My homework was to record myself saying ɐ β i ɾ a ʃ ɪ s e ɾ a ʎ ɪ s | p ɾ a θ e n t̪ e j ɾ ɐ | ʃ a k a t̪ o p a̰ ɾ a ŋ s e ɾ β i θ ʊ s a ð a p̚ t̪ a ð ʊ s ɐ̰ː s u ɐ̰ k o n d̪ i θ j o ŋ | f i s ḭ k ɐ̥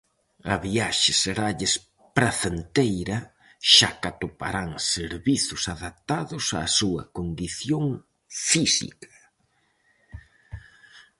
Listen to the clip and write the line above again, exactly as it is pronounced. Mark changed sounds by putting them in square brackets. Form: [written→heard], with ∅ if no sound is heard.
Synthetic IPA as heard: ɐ β i [ɾ→∅] a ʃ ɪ s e ɾ a ʎ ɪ s | p ɾ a θ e n t̪ e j ɾ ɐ | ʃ a k a t̪ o p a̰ ɾ a ŋ s e ɾ β i θ ʊ s a ð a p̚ t̪ a ð ʊ s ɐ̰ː s u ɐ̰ k o n d̪ i θ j o ŋ | f i s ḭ k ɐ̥